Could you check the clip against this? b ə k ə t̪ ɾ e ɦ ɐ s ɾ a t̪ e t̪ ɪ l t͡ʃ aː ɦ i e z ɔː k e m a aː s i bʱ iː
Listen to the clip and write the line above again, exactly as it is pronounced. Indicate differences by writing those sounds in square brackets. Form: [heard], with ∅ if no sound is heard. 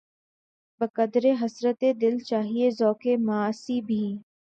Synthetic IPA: b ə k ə [d̪] ɾ e ɦ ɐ s ɾ [ə] t̪ e [d̪] ɪ l t͡ʃ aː ɦ i e z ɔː k e m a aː s i bʱ iː